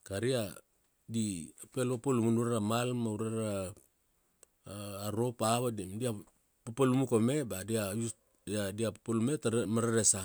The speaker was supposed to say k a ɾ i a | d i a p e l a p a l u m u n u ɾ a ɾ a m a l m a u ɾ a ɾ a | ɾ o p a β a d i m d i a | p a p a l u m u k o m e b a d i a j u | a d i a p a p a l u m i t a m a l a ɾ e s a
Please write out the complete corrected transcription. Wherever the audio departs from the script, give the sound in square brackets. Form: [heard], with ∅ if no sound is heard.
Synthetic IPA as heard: k a ɾ i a | d i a p e l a p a l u m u n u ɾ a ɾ a m a l m a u ɾ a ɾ a | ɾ o p a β a d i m d i a | p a p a l u m u k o m e b a d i a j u | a d i a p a p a l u m [e] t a m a [ɾ] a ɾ e s a